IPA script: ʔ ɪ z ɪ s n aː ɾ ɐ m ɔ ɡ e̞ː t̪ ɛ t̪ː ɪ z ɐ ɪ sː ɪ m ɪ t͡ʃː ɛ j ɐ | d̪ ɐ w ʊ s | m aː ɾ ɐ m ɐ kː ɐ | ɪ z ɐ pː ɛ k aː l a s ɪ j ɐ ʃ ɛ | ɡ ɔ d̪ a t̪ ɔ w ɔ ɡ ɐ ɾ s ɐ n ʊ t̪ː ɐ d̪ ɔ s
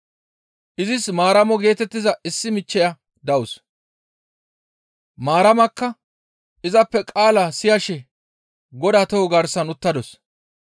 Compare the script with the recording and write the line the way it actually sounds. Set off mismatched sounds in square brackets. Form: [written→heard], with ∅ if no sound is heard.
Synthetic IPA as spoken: ʔ ɪ z ɪ s [n→m] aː ɾ ɐ m ɔ ɡ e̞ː t̪ ɛ t̪ː ɪ z ɐ ɪ sː ɪ m ɪ t͡ʃː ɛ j ɐ | d̪ ɐ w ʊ s | m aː ɾ ɐ m ɐ kː ɐ | ɪ z ɐ pː ɛ [k→kʼ] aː l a s ɪ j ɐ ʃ ɛ | ɡ ɔ d̪ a t̪ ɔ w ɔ ɡ ɐ ɾ s ɐ n ʊ t̪ː ɐ d̪ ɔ s